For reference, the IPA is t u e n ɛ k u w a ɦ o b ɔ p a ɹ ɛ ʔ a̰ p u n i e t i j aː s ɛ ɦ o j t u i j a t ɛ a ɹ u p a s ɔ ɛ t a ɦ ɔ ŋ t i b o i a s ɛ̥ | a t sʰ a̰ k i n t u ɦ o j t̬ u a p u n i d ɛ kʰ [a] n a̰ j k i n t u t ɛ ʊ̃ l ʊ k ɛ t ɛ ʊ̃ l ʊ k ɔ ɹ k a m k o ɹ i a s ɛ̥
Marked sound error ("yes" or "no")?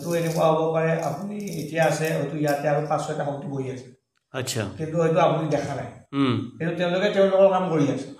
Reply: no